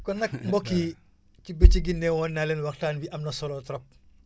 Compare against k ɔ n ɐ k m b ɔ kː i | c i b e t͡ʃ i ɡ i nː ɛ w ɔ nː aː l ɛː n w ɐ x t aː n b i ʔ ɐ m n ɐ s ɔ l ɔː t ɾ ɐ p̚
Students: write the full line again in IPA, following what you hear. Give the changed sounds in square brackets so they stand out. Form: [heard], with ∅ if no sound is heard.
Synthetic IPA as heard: k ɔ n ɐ k m b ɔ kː i | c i b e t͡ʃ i ɡ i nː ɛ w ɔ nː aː l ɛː n w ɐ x t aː n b i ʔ ɐ m n ɐ s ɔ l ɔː t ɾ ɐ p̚